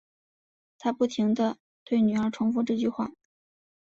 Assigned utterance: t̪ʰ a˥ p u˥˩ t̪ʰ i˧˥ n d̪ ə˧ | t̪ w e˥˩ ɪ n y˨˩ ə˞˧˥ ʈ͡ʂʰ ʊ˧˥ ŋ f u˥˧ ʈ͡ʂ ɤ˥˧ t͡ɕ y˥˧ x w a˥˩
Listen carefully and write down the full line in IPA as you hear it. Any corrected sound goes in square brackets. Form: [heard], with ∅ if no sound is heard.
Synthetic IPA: t̪ʰ a˥ p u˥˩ t̪ʰ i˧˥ [ŋ] d̪ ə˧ | t̪ w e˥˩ ɪ n y˨˩ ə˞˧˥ ʈ͡ʂʰ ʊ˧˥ ŋ f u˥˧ ʈ͡ʂ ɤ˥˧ t͡ɕ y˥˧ x w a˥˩